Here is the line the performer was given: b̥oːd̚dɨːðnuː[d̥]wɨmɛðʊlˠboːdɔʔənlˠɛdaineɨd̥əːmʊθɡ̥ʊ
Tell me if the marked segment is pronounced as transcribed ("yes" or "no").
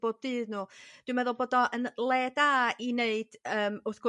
yes